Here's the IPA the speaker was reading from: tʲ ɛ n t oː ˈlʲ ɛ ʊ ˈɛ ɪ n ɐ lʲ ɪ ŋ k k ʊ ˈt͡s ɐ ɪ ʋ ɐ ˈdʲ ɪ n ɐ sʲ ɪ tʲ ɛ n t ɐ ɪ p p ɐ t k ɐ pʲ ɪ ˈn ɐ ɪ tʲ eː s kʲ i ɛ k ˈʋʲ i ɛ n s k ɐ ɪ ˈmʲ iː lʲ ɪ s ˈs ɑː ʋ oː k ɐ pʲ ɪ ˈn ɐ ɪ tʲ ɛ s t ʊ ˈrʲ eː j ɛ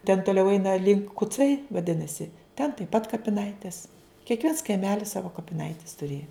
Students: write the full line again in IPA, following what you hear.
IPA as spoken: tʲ ɛ n t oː ˈlʲ ɛ ʊ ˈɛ ɪ n ɐ lʲ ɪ ŋ k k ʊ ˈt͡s ɐ ɪ ʋ ɐ ˈdʲ ɪ n ɐ sʲ ɪ tʲ ɛ n t ɐ ɪ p p ɐ t k ɐ pʲ ɪ ˈn ɐ ɪ tʲ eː s kʲ i ɛ k ˈʋʲ i ɛ n s k ɐ ɪ ˈmʲ æː lʲ ɪ s ˈs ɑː ʋ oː k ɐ pʲ ɪ ˈn ɐ ɪ tʲ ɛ s t ʊ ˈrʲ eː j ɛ